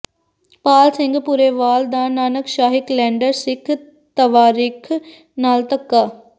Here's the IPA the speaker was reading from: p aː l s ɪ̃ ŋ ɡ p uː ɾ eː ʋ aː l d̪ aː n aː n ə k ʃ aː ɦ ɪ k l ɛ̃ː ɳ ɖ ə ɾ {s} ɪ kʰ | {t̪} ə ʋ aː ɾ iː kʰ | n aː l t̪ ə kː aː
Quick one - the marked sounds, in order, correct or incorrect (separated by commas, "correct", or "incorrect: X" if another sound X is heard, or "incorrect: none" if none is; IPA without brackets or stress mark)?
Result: correct, correct